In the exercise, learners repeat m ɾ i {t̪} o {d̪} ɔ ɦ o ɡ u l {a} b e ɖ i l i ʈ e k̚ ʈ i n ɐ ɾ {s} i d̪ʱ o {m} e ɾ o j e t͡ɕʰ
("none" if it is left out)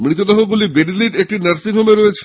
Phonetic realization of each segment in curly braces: t̪, d̪, i, s, m

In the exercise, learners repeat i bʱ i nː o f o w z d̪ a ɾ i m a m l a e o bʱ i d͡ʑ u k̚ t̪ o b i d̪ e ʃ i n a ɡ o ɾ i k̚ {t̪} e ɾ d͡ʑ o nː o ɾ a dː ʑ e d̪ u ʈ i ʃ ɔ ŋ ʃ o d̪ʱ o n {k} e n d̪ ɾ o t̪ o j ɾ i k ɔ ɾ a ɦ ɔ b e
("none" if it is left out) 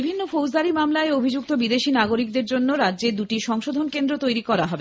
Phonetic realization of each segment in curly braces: d̪, k

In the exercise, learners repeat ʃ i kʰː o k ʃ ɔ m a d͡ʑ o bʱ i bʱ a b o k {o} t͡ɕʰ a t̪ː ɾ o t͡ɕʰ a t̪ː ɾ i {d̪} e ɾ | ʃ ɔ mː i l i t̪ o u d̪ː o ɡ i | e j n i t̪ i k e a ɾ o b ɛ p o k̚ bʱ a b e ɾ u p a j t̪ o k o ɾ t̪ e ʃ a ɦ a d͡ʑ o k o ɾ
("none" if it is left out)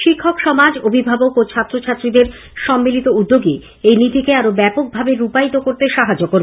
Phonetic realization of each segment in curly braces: o, d̪

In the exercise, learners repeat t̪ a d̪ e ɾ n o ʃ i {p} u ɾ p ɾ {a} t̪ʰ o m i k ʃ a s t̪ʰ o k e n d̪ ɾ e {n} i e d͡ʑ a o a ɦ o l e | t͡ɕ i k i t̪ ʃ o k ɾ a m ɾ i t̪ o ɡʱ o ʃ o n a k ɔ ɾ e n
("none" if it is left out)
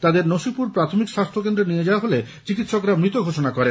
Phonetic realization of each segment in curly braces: p, a, n

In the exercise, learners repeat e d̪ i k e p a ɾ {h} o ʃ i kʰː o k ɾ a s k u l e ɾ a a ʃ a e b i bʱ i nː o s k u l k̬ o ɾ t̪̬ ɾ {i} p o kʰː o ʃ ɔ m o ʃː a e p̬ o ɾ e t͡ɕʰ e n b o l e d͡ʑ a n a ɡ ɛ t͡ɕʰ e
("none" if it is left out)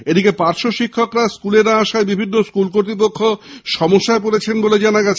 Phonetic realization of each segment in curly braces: ʃ, i

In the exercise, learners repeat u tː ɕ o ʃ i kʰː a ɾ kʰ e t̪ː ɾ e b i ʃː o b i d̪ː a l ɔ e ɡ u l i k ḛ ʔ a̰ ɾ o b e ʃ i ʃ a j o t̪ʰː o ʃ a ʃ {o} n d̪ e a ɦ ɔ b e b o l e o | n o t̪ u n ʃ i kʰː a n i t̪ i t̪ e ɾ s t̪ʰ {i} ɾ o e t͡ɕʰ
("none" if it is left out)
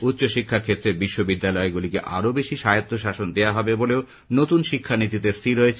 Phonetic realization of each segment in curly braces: o, i

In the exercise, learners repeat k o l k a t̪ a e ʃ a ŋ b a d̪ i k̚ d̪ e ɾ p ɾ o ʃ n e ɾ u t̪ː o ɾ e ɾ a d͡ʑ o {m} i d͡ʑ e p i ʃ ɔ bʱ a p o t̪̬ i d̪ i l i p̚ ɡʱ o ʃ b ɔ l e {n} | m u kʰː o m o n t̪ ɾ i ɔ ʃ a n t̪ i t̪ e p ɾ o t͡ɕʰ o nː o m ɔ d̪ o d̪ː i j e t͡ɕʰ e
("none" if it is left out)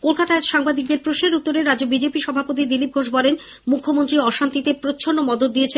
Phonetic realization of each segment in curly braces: b, n

